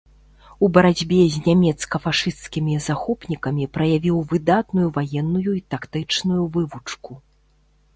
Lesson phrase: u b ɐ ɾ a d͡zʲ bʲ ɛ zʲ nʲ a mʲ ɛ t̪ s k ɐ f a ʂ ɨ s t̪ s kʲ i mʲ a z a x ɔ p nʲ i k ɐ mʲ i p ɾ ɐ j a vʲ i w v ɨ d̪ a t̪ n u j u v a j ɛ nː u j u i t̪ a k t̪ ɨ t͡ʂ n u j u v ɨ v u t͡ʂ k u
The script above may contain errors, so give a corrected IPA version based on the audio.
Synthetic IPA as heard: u b ɐ ɾ a d͡zʲ bʲ ɛ zʲ nʲ a mʲ ɛ t̪ s k ɐ f a ʂ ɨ s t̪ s kʲ i mʲ i z a x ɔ p nʲ i k ɐ mʲ i p ɾ ɐ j a vʲ i w v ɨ d̪ a t̪ n u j u v a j ɛ nː u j u i t̪ a k t̪ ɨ t͡ʂ n u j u v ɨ v u t͡ʂ k u